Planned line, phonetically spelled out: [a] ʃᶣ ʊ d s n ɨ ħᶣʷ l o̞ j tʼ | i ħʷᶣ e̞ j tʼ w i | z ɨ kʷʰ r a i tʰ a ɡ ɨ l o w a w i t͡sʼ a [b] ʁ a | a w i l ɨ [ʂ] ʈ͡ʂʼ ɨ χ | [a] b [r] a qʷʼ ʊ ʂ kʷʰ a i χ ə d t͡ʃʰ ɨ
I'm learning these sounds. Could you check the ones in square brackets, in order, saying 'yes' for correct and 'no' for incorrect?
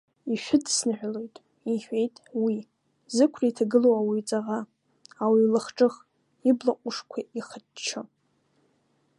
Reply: no, no, no, no, no

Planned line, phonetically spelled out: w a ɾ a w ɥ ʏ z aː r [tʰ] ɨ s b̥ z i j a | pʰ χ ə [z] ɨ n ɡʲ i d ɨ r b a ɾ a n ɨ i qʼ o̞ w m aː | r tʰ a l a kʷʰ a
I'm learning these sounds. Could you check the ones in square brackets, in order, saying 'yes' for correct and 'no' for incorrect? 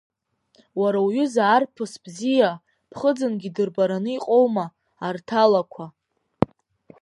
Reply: no, no

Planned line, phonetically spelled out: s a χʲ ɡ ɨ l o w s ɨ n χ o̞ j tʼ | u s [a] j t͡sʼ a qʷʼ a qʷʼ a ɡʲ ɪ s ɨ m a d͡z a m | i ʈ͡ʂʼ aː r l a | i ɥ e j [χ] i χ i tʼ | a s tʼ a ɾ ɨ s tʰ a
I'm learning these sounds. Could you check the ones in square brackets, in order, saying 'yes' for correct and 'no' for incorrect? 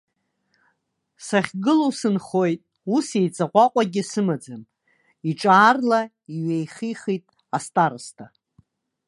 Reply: no, yes

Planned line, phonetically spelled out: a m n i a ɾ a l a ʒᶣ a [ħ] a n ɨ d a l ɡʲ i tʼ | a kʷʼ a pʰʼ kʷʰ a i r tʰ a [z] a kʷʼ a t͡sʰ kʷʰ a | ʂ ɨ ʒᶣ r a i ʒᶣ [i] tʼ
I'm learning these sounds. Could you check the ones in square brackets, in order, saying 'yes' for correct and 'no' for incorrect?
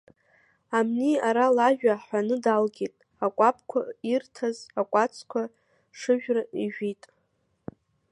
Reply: yes, yes, yes

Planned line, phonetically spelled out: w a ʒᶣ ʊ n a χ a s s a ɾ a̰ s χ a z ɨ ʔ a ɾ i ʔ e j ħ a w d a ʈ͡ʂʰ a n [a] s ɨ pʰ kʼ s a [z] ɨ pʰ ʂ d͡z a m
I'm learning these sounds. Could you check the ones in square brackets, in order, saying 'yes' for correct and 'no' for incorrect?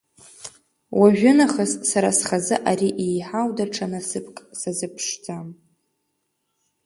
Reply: yes, yes

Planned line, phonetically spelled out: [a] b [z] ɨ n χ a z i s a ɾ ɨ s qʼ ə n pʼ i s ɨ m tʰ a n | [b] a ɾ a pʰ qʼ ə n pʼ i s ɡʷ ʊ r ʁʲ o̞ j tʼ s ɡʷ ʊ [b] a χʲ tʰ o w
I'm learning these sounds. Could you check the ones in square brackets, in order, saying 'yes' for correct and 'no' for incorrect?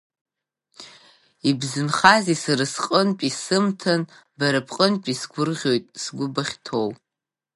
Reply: no, yes, yes, yes

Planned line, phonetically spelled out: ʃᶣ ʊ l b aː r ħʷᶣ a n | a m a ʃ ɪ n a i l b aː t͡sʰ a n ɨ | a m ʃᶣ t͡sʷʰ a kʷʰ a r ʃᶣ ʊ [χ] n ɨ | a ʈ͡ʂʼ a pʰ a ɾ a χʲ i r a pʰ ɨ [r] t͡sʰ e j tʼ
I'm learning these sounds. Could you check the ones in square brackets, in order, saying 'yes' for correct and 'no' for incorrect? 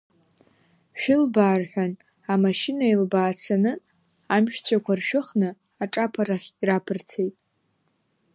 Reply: yes, yes

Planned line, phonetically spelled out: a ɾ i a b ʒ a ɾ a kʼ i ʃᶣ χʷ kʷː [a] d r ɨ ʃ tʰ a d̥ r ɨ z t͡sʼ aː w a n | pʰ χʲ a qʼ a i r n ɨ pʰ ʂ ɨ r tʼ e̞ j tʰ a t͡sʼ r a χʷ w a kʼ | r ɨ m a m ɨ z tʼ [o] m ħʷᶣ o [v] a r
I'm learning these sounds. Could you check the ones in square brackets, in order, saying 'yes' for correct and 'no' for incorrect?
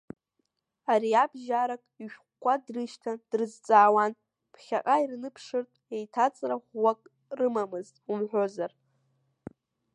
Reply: yes, no, no

